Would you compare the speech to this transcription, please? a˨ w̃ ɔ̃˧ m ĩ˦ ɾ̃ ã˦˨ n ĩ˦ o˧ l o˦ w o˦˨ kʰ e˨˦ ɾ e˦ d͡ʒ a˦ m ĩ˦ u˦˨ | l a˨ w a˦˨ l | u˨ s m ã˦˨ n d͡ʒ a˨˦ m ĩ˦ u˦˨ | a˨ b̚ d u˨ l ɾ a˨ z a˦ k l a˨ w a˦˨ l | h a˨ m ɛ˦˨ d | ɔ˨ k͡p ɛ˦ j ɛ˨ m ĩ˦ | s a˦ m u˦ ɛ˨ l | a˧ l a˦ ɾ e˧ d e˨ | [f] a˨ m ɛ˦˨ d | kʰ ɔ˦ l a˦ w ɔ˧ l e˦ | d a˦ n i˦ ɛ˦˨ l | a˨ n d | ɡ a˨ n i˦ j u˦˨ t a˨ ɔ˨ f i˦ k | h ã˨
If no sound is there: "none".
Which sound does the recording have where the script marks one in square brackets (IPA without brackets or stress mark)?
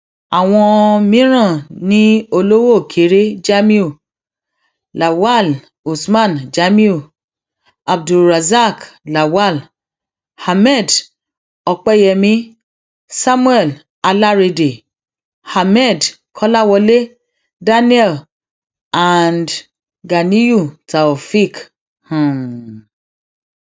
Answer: h